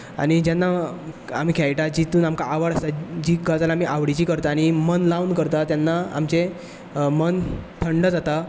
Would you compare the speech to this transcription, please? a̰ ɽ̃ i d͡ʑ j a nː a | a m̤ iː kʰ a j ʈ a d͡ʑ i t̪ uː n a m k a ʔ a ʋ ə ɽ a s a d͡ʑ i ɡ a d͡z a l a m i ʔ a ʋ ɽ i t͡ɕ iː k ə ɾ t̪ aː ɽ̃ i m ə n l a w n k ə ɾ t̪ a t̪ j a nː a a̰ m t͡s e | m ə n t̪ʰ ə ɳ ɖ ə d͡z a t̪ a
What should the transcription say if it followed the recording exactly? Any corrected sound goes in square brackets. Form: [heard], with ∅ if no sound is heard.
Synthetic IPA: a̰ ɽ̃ i d͡ʑ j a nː a | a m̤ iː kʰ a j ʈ a d͡ʑ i t̪ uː n a m k a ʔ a ʋ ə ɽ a s a d͡ʑ i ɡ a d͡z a l a m i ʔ a ʋ ɽ i t͡ɕ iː k ə ɾ t̪ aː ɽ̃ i m ə n l a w n k ə ɾ t̪ a t̪ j a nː a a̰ m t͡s e | m ə n t̪ʰ ə ɳ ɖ ə d͡z a t̪ a